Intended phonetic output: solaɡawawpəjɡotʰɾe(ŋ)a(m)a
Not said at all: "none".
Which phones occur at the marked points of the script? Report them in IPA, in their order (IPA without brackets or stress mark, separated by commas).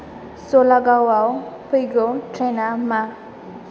n, m